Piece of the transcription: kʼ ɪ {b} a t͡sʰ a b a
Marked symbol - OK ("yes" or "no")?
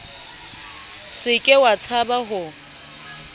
no